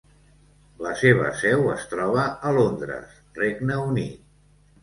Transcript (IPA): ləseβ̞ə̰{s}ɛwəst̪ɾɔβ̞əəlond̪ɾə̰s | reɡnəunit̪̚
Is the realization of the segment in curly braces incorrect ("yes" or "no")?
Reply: no